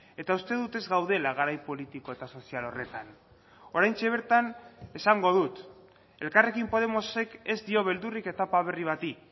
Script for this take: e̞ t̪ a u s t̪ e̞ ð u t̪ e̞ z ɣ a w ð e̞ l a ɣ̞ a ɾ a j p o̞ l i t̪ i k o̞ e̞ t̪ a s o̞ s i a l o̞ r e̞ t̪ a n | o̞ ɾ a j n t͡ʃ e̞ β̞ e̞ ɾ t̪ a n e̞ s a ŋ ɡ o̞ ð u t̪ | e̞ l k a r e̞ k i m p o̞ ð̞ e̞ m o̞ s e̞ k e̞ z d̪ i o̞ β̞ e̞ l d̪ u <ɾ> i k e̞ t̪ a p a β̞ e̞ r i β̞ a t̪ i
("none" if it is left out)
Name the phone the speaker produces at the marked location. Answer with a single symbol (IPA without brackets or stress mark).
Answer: r